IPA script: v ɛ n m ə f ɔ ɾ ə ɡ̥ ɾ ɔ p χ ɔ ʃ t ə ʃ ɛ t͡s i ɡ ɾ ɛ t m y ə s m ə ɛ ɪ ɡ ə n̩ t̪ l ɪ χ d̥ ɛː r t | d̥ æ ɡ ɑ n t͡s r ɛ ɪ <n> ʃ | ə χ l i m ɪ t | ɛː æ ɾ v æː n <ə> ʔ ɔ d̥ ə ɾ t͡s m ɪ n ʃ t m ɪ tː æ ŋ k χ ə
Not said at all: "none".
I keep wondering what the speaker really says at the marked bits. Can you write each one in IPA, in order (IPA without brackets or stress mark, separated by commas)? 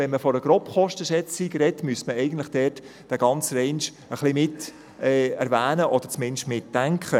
n, ə